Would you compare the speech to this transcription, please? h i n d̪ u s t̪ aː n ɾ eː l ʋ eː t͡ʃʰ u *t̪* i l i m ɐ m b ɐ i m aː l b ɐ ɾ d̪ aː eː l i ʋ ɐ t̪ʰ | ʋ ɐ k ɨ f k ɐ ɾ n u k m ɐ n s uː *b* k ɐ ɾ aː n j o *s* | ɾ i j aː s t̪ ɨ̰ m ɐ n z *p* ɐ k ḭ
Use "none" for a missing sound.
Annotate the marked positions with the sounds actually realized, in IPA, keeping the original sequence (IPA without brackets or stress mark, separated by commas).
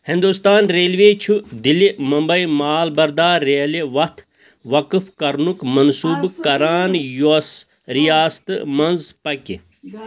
d̪, b, s, p